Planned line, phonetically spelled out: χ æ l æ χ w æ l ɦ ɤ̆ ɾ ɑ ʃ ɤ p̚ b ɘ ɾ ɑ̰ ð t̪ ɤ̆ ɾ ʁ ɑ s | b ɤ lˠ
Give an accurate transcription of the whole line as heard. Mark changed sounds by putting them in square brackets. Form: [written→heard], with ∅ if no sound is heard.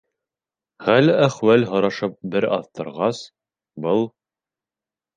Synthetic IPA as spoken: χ æ l æ χ w æ l ɦ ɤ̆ ɾ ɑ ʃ ɤ p̚ b ɘ ɾ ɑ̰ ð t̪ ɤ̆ ɾ ʁ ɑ s | b ɤ lˠ